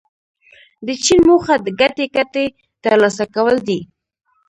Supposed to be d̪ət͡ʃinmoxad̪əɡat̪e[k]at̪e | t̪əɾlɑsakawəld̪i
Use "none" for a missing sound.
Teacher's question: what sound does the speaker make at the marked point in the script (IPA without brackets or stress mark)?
k